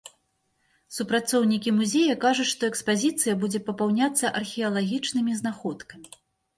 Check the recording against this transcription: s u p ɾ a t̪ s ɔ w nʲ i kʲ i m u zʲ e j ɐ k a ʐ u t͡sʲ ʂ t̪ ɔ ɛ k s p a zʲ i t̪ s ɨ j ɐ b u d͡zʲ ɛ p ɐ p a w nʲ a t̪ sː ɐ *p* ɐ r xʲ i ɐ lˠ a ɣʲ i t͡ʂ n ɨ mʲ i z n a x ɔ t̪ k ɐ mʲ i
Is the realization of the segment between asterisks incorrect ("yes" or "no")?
yes